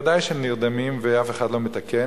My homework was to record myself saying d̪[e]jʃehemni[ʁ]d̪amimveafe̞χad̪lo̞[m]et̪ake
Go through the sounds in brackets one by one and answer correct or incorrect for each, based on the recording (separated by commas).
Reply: incorrect, correct, correct